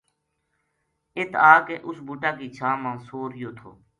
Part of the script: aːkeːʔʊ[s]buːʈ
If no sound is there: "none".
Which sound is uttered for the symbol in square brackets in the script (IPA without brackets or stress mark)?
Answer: s